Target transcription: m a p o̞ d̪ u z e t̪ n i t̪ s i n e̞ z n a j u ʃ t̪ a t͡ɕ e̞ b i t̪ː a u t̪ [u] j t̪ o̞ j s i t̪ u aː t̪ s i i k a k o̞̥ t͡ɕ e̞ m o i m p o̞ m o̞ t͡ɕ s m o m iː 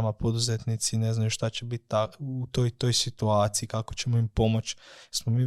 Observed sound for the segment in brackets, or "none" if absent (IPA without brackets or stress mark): o